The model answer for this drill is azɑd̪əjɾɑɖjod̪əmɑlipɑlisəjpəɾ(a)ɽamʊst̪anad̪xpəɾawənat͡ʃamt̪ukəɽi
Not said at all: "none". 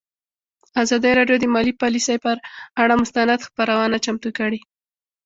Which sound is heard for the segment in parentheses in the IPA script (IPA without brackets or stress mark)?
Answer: a